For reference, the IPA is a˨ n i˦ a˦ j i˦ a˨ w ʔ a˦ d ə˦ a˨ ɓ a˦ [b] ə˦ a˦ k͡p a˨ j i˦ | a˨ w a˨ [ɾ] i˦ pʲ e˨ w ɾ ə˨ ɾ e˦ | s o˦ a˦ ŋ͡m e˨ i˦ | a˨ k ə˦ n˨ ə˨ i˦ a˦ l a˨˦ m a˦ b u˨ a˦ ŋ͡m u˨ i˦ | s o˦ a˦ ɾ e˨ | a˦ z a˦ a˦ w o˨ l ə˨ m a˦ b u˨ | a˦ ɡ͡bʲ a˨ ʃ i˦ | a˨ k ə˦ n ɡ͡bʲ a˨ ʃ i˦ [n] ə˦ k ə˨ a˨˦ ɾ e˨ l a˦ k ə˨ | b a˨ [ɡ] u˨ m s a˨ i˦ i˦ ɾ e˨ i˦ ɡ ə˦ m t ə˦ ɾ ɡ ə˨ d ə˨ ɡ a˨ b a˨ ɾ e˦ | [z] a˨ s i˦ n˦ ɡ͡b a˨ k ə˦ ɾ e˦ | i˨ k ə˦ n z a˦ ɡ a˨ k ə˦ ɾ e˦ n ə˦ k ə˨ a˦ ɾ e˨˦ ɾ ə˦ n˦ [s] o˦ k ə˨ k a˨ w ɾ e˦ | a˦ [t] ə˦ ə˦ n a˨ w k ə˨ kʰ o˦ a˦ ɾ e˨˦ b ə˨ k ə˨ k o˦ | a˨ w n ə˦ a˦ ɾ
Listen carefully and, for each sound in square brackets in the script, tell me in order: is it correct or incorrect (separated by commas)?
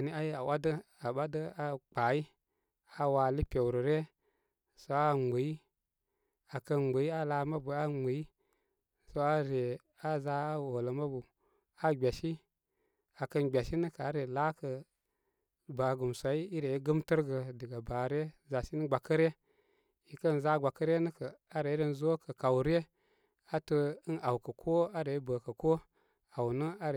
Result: incorrect, incorrect, correct, correct, correct, incorrect, correct